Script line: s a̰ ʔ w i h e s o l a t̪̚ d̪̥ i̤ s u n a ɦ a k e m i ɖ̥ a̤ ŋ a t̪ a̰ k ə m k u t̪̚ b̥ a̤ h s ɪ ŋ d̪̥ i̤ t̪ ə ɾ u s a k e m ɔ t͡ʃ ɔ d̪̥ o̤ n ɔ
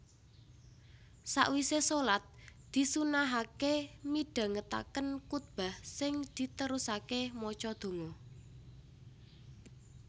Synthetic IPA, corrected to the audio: s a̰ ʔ w i s e s o l a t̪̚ d̪̥ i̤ s u n a ɦ a k e m i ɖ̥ a̤ ŋ ə t̪ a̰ k ə n k u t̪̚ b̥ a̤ h s ɪ ŋ d̪̥ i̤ t̪ ə ɾ u s a k e m ɔ t͡ʃ ɔ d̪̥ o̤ ŋ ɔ